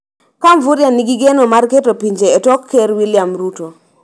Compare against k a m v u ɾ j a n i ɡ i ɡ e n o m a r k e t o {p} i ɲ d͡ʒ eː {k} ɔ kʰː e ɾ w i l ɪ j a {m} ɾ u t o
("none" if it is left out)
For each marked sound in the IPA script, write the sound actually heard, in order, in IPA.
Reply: p, t, m

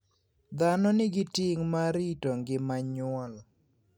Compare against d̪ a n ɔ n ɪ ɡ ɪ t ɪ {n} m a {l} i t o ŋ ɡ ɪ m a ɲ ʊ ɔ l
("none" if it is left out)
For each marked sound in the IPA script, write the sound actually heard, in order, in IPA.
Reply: ŋ, ɾ

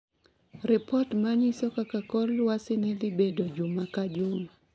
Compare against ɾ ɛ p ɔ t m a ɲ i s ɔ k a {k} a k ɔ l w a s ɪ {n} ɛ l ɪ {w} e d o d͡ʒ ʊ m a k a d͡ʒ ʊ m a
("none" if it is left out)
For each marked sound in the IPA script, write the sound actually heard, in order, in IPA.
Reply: k, n, b

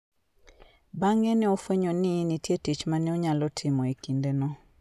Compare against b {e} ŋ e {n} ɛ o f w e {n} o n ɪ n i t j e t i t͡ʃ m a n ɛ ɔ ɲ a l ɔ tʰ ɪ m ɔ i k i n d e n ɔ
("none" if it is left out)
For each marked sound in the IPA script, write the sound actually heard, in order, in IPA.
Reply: a, n, ɲ

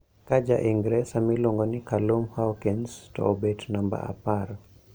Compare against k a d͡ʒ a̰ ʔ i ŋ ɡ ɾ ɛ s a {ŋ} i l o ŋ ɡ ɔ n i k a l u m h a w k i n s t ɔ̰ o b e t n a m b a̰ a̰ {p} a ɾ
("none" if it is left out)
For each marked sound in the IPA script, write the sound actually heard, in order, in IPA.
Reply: m, p

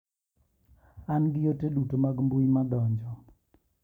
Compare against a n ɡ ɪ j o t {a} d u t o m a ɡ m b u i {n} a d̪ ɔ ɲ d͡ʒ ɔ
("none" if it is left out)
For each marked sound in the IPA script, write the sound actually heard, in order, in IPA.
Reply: e, m

